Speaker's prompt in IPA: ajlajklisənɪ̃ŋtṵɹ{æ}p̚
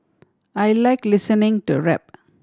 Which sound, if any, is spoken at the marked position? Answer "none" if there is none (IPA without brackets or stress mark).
ɛ